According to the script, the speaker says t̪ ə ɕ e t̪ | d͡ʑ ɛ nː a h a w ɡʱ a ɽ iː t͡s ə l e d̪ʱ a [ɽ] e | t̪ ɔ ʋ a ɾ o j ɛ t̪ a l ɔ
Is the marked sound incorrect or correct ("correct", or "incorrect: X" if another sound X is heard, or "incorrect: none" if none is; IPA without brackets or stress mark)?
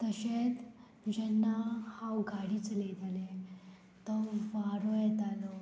incorrect: l